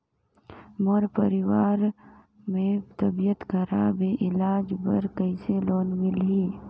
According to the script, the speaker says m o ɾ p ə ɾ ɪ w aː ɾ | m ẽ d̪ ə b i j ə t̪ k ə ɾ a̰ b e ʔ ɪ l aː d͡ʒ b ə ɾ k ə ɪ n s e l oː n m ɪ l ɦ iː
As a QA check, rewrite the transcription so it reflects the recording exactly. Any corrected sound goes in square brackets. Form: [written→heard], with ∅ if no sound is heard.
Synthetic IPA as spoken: m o ɾ p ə ɾ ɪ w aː ɾ | m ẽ [d̪→t̪] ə b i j ə t̪ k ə ɾ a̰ b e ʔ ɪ l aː d͡ʒ b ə ɾ k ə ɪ [n→∅] s e l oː n m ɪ l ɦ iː